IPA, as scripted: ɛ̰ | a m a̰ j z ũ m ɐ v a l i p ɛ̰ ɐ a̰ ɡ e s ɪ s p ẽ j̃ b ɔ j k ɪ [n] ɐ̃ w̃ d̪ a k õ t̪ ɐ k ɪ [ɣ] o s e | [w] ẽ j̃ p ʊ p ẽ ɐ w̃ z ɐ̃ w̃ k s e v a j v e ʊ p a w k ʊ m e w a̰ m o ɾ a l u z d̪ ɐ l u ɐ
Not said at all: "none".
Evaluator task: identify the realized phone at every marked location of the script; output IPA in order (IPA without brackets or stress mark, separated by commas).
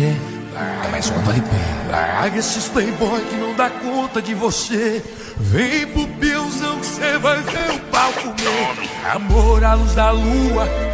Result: n, v, v